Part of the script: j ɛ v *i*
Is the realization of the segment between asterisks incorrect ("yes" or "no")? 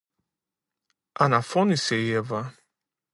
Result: yes